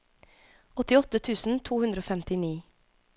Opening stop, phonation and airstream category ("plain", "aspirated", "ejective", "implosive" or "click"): plain